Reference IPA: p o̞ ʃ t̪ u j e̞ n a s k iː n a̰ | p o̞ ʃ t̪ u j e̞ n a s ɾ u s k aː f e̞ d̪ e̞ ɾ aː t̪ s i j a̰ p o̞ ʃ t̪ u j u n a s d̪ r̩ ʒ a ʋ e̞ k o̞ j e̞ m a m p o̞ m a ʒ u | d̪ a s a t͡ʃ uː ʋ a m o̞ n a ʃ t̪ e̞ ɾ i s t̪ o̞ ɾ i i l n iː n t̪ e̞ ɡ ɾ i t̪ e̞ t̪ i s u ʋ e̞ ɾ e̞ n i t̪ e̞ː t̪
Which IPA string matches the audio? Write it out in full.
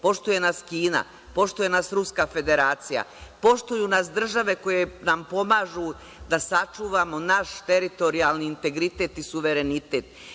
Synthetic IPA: p o̞ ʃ t̪ u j e̞ n a s k iː n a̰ | p o̞ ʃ t̪ u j e̞ n a s ɾ u s k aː f e̞ d̪ e̞ ɾ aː t̪ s i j a̰ p o̞ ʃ t̪ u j u n a s d̪ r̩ ʒ a ʋ e̞ k o̞ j e̞ n a m p o̞ m a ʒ u | d̪ a s a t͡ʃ uː ʋ a m o̞ n a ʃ t̪ e̞ ɾ i t̪ o̞ ɾ i a l n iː n t̪ e̞ ɡ ɾ i t̪ e̞ t̪ i s u ʋ e̞ ɾ e̞ n i t̪ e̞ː t̪